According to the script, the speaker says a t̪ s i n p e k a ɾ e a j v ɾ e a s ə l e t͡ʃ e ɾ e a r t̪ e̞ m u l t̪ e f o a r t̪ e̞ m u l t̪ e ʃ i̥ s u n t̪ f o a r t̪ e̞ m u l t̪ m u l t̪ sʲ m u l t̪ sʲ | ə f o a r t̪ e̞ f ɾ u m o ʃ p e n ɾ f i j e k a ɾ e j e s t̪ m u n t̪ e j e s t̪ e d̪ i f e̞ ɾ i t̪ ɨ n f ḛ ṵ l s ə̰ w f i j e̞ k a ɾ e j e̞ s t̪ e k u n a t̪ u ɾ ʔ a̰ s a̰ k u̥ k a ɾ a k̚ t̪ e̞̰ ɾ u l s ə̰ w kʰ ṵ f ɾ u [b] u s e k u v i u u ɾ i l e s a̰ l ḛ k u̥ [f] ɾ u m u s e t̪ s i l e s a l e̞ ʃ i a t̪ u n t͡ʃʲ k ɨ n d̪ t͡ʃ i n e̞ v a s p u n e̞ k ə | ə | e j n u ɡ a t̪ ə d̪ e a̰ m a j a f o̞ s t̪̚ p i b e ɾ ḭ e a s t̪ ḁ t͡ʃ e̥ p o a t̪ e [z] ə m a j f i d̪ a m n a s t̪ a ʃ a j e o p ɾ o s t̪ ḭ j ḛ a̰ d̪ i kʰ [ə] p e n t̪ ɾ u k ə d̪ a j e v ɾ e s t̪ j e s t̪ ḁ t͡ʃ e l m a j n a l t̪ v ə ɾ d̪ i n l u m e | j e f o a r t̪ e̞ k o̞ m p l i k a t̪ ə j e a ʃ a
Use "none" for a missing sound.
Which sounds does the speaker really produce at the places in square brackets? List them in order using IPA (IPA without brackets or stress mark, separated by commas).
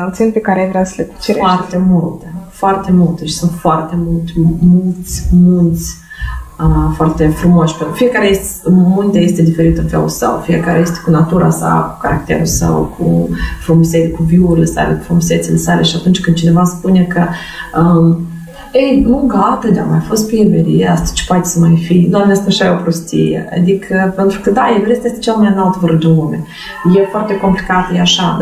m, f, s, ə